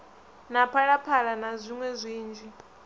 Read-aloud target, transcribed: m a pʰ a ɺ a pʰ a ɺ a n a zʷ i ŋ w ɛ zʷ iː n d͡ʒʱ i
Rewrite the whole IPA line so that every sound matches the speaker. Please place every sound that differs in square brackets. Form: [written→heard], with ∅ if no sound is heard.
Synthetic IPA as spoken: [m→n] a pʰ a ɺ a pʰ a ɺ a n a zʷ i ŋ w ɛ zʷ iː n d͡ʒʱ i